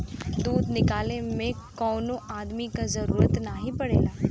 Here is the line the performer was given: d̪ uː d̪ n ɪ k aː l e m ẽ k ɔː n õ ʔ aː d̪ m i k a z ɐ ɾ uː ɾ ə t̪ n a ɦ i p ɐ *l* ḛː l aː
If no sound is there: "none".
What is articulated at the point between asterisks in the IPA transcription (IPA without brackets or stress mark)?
ɽ